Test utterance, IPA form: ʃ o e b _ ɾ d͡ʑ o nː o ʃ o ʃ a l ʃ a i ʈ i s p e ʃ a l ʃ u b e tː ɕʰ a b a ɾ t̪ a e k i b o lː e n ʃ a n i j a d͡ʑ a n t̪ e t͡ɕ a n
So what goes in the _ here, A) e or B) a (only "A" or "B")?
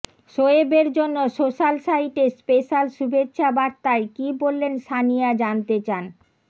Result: A